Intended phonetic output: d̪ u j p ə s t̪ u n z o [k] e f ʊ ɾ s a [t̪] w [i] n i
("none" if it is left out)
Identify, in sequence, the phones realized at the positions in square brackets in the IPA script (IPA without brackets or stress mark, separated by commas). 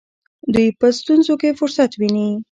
k, t̪, i